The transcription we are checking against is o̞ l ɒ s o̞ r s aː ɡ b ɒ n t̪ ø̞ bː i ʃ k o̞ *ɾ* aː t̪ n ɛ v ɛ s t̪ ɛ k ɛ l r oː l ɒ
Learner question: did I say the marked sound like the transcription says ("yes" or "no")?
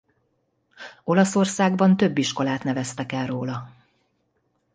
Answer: no